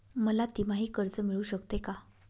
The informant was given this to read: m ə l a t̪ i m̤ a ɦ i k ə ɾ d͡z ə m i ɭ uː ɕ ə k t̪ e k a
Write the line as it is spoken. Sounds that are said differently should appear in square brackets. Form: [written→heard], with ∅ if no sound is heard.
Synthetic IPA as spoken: m ə l a t̪ i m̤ a ɦ [i→iː] k ə ɾ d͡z ə m i ɭ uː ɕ ə k t̪ e k a